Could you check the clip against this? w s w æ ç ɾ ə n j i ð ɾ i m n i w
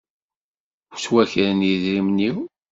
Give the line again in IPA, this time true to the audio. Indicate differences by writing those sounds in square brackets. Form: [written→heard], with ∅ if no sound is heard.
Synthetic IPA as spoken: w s w æ ç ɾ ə n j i ð ɾ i m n i w